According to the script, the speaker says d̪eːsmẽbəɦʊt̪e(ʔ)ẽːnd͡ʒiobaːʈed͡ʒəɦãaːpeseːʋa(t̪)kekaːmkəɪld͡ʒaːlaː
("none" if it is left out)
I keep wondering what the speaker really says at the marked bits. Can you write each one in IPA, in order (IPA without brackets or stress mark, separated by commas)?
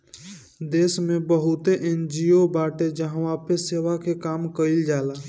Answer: ʔ, none